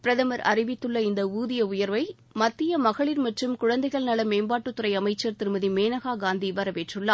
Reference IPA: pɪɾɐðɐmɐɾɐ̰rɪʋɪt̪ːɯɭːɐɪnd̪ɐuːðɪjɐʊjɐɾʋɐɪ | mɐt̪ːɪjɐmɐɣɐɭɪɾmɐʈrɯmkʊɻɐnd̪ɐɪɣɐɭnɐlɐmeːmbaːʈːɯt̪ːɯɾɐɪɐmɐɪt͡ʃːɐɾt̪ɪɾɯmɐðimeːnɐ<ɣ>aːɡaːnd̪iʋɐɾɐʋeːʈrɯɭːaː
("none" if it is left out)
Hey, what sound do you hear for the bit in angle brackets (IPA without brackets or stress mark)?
ɣ